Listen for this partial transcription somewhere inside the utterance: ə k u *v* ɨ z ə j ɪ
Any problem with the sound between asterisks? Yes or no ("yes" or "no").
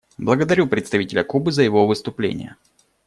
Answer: yes